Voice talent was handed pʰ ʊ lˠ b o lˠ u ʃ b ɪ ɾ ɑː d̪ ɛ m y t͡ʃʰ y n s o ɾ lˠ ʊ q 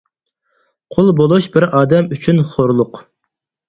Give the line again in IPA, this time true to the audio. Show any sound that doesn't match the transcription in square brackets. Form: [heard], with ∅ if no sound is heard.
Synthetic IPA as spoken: [qʰ] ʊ lˠ b o lˠ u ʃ b ɪ ɾ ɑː d̪ ɛ m y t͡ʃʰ y n [χ] o ɾ lˠ ʊ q